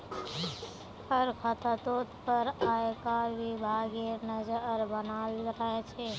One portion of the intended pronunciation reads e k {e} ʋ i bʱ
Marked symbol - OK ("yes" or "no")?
no